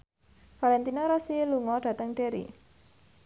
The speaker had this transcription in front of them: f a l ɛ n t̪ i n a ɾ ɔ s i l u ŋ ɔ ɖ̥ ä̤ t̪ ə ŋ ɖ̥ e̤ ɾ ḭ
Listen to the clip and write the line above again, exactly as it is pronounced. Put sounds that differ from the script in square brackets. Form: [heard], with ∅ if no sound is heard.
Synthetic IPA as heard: f a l ɛ n t̪ i n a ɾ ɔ s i l u ŋ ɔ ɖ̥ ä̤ t̪ ə ŋ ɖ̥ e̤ ɾ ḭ

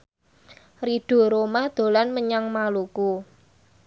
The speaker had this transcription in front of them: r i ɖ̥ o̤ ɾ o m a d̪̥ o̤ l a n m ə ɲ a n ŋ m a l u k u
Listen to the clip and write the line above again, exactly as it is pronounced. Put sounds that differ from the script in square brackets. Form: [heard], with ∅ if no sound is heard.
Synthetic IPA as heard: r i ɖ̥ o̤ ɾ o m a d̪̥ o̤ l a n m ə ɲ a [∅] ŋ m a l u k u

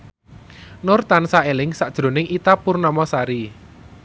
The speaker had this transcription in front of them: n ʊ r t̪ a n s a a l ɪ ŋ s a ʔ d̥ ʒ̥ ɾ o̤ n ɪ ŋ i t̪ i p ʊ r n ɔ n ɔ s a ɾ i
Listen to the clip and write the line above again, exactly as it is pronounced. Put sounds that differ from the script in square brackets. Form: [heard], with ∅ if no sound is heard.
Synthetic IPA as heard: n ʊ r t̪ a n s a [e] l ɪ ŋ s a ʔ d̥ ʒ̥ ɾ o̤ n ɪ ŋ i t̪ [a] p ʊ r n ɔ [m] ɔ s a ɾ i

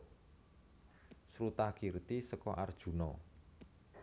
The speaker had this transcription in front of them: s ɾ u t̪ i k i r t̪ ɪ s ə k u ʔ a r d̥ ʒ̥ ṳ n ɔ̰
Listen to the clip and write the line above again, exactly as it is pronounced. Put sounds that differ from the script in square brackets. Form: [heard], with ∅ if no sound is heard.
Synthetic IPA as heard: s ɾ u t̪ [a] k i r t̪ [i] s ə k [ɔ] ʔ a r d̥ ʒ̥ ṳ n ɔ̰

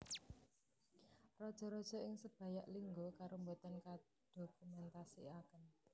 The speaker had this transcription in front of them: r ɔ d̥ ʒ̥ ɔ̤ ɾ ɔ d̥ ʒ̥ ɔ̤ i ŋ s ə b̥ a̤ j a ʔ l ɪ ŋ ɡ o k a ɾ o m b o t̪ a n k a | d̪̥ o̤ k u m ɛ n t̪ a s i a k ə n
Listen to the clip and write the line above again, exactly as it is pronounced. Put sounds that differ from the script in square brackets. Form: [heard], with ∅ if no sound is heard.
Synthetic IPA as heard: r ɔ d̥ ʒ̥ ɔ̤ ɾ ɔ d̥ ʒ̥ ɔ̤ [ɪ] ŋ s ə b̥ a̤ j a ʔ l [i] ŋ ɡ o k a ɾ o m b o t̪ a n k a | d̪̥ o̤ k u m ɛ n t̪ a s i a k ə n

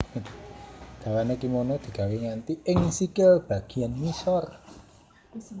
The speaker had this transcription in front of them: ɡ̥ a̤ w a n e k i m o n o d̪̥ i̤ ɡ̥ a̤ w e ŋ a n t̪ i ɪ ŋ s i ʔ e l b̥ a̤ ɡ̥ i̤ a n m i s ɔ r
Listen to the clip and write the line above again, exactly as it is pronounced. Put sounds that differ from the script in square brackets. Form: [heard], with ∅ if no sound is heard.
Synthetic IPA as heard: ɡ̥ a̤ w a n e k i m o n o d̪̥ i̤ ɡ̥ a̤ w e ŋ a n t̪ i ɪ ŋ s i [k] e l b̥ a̤ ɡ̥ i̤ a n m i s ɔ r

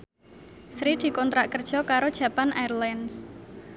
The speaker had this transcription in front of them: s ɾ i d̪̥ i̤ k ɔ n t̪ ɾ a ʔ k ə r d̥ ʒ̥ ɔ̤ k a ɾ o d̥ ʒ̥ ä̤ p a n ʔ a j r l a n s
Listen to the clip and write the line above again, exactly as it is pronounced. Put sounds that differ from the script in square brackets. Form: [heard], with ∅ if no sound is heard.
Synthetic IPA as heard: s ɾ i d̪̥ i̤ k ɔ n t̪ ɾ a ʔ k ə r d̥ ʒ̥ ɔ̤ k a ɾ o d̥ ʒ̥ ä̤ p a n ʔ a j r l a n s

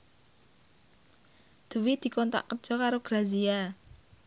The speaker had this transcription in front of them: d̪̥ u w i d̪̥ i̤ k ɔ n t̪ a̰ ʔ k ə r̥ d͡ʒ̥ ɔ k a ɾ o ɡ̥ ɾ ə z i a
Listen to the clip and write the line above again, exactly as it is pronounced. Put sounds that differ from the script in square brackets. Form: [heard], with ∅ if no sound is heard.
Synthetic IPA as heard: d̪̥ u w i d̪̥ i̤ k ɔ n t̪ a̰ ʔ k ə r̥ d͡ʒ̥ ɔ k a ɾ o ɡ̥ ɾ [a] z i a

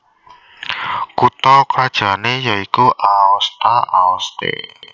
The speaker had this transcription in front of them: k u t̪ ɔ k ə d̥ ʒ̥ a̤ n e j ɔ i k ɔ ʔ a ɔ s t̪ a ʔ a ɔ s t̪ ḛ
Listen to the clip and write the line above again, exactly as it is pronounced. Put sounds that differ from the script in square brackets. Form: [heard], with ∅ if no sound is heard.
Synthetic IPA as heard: k u t̪ ɔ k [a] d̥ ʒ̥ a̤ n e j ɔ i k [u] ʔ a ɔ s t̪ a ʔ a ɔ s t̪ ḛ

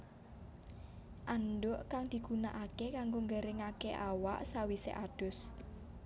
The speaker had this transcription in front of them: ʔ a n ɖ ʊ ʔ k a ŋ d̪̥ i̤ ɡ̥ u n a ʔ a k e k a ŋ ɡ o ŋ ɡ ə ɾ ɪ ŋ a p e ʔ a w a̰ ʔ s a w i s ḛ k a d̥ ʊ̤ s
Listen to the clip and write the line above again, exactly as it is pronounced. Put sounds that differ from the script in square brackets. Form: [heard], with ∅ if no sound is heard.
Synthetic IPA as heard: ʔ a n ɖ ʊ ʔ k a ŋ d̪̥ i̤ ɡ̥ u n a ʔ a k e k a ŋ ɡ o ŋ ɡ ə ɾ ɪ ŋ a [k] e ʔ a w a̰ ʔ s a w i s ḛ [ʔ] a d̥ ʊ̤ s

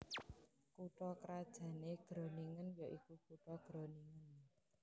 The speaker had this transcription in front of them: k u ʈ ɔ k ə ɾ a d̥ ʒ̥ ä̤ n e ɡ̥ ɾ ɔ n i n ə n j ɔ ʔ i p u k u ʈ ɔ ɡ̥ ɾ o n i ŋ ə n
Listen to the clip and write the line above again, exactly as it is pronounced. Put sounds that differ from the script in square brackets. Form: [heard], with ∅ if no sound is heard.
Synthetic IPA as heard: k u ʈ ɔ k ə ɾ a d̥ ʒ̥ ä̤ n e ɡ̥ ɾ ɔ n i [ŋ] ə n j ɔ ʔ i [k] u k u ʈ ɔ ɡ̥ ɾ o n i ŋ ə n

